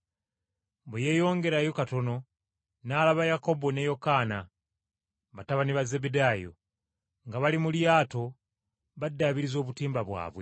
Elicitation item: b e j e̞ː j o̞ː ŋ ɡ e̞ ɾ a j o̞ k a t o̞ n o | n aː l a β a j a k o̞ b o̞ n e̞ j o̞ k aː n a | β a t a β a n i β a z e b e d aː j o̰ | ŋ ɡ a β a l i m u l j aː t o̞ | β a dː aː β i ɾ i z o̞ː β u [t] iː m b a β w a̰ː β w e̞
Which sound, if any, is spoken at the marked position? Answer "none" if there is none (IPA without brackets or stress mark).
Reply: t